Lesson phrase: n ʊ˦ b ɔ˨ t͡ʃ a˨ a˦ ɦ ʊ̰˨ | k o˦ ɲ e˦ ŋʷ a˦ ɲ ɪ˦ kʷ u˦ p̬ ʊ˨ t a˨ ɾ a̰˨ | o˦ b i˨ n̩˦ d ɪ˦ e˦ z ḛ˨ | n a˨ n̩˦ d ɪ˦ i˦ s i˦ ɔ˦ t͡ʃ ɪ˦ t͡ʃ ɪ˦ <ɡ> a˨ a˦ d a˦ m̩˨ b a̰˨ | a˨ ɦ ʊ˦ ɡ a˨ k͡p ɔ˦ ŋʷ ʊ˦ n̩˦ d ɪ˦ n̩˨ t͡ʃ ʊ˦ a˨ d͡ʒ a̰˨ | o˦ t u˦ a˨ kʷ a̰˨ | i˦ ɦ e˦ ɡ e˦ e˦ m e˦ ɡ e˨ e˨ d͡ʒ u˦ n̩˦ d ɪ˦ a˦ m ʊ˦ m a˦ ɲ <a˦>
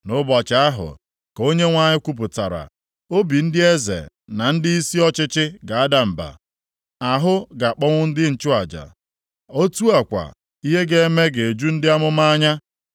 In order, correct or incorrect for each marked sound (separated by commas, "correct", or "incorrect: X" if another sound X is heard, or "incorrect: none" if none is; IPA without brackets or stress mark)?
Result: correct, correct